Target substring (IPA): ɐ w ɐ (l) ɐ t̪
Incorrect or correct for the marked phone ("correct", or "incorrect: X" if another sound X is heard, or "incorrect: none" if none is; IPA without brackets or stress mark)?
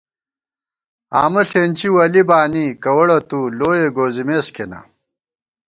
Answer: incorrect: ɽ